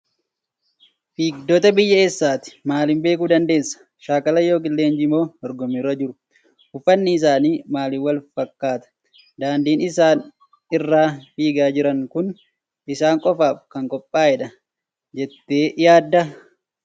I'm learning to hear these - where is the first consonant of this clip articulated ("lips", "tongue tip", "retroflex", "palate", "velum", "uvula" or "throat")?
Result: lips